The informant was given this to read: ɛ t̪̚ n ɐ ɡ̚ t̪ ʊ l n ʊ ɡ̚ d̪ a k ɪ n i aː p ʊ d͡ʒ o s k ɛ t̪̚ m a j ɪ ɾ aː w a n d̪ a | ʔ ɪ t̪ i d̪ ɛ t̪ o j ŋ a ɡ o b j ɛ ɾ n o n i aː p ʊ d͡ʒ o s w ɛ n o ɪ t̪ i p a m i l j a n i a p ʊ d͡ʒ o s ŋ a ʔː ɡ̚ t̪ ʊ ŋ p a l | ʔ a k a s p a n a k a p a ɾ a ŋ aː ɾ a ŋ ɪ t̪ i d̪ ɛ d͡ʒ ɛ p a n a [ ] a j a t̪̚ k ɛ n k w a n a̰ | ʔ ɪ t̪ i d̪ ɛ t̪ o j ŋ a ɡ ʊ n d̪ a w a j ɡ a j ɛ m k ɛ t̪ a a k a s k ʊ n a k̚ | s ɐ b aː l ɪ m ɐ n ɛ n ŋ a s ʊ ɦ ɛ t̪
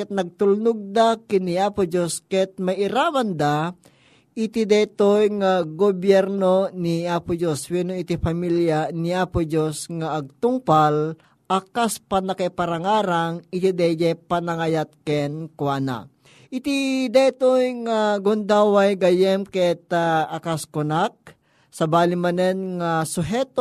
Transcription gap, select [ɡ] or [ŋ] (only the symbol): ŋ